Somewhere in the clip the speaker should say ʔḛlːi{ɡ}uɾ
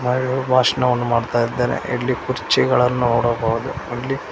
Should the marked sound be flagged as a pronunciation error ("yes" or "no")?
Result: yes